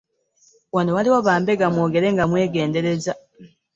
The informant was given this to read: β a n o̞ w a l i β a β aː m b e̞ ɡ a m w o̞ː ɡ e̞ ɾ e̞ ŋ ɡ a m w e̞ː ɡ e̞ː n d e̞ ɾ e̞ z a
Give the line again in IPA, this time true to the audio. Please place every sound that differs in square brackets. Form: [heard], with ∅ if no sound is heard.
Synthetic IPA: [w] a n o̞ w a l i [w] a β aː m b e̞ ɡ a m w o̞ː ɡ e̞ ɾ e̞ ŋ ɡ a m w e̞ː ɡ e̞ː n d e̞ ɾ e̞ z a